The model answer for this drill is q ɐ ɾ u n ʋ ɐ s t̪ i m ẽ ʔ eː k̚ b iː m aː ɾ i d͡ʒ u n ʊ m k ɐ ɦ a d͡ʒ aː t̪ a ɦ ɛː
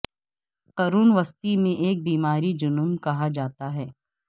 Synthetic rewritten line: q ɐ ɾ uː n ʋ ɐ s t̪ i m ẽ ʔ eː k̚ b iː m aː ɾ i d͡ʒ ʊ n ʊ m k ɐ ɦ a d͡ʒ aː t̪ a ɦ ɛː